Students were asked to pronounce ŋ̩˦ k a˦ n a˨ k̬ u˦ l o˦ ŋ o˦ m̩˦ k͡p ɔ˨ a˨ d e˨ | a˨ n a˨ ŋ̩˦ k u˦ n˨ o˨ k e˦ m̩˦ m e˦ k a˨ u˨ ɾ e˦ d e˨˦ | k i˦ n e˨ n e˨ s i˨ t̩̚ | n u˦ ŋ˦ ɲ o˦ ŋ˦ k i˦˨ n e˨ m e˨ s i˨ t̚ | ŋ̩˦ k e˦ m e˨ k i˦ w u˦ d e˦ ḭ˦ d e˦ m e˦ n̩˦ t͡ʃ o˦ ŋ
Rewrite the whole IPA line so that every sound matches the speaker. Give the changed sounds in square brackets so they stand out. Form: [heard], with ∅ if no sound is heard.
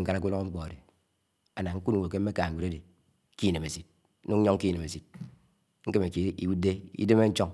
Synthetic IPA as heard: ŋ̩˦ k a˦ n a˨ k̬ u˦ l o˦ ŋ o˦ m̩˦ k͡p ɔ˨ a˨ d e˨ | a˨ n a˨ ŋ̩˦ k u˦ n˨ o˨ k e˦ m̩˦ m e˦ k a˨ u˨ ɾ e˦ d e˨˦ | k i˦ n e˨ [m] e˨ s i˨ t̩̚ | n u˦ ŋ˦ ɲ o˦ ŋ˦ k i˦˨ n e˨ m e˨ s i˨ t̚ | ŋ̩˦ k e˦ m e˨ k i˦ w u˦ d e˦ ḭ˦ d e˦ m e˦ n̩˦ t͡ʃ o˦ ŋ

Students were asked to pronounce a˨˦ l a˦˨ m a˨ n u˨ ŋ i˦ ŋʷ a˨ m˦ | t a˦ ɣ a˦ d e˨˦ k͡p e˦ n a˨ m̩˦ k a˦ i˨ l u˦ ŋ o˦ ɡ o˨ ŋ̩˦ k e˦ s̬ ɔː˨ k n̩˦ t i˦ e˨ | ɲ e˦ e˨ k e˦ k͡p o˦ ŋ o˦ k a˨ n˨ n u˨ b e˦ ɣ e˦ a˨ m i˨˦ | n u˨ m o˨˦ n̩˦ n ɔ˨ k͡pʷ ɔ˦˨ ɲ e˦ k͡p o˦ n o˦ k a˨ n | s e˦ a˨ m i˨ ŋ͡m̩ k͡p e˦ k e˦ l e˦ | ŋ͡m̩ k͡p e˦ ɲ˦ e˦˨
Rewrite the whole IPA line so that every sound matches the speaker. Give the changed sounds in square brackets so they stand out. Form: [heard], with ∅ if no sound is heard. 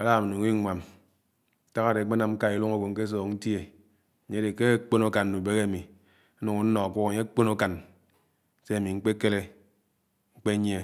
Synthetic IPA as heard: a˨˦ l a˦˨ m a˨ n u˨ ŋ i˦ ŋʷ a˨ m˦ | t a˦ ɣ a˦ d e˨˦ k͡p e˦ n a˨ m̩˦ k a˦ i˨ l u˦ ŋ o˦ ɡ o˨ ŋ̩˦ k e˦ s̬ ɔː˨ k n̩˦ t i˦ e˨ | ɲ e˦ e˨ k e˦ k͡p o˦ [n] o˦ k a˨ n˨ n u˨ b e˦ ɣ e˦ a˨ m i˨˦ | n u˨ [ŋ] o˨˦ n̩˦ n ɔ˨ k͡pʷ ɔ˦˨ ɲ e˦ k͡p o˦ n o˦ k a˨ n | s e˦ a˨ m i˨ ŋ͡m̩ k͡p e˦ k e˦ l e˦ | ŋ͡m̩ k͡p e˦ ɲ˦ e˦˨

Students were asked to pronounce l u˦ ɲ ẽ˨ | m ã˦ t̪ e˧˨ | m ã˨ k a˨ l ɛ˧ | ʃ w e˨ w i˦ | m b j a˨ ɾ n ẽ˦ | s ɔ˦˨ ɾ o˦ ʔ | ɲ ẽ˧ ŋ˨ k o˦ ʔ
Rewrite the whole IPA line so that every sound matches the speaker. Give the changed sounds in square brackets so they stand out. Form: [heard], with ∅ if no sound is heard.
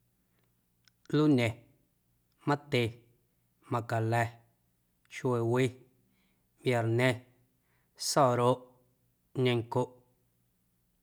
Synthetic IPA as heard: l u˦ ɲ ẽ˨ | m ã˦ t̪ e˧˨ | m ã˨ k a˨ l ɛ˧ | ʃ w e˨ w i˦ | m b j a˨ ɾ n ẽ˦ | s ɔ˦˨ ɾ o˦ ʔ | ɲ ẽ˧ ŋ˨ k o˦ ʔ

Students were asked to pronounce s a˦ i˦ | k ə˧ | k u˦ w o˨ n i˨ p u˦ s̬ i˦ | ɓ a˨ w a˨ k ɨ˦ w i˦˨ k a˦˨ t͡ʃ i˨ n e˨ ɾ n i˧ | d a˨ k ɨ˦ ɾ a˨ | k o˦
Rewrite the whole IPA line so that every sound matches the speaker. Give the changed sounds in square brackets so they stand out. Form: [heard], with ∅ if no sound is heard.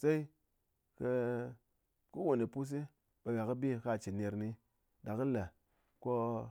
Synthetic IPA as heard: s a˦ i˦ | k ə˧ | k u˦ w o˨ n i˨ p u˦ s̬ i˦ | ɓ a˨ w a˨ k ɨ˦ [b] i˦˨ k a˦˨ t͡ʃ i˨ n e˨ ɾ n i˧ | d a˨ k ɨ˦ [l] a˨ | k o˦

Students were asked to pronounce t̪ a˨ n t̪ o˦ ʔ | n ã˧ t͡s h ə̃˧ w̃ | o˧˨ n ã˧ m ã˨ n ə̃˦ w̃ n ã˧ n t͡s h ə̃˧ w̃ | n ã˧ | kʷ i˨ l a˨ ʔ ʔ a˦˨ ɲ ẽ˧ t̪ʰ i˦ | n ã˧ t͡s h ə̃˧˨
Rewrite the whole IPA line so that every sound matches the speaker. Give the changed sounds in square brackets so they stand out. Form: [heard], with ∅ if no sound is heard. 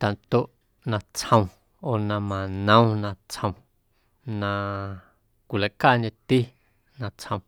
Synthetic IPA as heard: t̪ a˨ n t̪ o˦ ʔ | n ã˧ t͡s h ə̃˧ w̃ | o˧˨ n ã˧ m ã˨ n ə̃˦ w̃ n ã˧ [∅] t͡s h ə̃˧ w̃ | n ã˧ | kʷ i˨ l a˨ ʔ [k] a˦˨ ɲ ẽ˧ [t̪] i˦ | n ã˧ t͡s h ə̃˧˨

